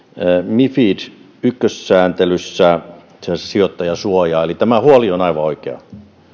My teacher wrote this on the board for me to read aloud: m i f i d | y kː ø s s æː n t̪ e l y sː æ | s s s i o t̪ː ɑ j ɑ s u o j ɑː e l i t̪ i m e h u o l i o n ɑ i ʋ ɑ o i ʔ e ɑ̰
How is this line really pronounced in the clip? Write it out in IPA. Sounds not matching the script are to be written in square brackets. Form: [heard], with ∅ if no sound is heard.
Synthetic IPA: m i f i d | y kː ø s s æː n t̪ e l y sː æ | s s s i o t̪ː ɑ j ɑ s u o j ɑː e l i t̪ [æ] m [æ] h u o l i o n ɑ i ʋ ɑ o i [k] e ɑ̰